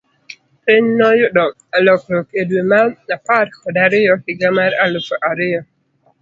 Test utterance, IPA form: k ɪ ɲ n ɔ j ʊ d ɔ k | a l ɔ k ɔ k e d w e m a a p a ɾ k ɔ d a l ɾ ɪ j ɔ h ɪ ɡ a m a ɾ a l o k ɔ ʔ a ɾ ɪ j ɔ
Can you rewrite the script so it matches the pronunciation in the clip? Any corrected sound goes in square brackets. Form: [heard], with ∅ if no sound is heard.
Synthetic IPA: [p] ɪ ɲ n ɔ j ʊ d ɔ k | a l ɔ k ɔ k e d w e m a a p a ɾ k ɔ d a [∅] ɾ ɪ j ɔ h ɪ ɡ a m a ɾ a l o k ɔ ʔ a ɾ ɪ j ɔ